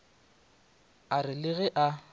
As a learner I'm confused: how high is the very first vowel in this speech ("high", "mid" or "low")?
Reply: low